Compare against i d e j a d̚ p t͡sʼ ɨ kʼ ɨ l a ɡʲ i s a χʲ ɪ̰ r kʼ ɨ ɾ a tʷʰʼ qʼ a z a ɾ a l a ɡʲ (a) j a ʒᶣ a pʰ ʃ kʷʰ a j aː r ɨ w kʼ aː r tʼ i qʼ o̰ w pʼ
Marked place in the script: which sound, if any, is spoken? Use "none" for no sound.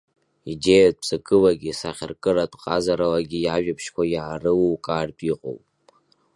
i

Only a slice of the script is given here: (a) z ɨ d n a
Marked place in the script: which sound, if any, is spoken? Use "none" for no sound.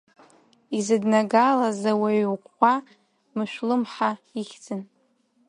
i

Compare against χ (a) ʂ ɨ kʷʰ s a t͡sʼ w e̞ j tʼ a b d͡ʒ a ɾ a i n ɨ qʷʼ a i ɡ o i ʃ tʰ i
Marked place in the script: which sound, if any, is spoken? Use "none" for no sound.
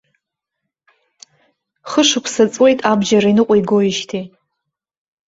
ə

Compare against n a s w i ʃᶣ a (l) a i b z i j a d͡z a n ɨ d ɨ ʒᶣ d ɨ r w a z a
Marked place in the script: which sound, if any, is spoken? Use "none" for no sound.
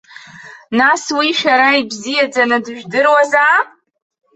ɾ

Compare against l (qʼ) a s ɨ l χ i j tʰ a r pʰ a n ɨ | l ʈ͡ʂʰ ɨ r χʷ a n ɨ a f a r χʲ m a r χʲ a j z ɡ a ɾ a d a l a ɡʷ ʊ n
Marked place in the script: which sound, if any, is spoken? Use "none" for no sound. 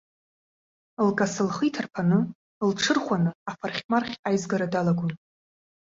kʼ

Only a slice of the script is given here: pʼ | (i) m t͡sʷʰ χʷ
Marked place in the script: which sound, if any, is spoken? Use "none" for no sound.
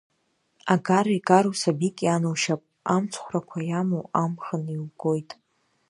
a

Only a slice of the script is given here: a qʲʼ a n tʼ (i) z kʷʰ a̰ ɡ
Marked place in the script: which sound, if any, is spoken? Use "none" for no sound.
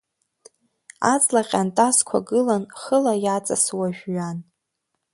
a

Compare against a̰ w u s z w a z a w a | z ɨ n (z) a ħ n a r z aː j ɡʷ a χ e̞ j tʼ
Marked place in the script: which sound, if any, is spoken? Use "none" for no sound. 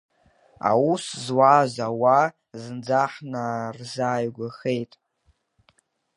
d͡z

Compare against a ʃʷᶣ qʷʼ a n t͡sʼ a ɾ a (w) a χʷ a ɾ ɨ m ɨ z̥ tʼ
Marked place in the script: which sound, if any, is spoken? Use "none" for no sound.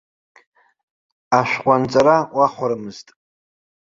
w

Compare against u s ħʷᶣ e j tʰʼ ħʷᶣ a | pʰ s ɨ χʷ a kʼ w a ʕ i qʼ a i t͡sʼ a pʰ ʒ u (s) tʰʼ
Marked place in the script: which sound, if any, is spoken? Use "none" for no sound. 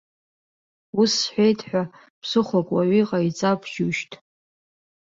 ʃ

